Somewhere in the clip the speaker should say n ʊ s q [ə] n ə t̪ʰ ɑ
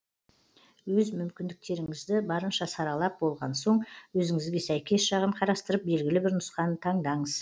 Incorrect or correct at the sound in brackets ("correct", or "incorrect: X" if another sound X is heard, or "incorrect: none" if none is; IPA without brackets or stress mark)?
incorrect: ɑ